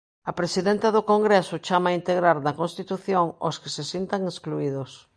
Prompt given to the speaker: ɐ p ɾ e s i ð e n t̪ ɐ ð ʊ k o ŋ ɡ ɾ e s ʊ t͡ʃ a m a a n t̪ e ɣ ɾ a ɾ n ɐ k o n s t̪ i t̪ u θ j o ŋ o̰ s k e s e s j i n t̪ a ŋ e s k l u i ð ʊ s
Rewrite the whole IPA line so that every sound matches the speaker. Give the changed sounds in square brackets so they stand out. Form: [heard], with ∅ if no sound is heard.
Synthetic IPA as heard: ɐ p ɾ e s i ð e n t̪ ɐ ð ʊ k o ŋ ɡ ɾ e s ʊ t͡ʃ a m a [i] n t̪ e ɣ ɾ a ɾ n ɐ k o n s t̪ i t̪ u θ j o ŋ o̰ s k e s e s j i n t̪ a ŋ e s k l u i ð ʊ s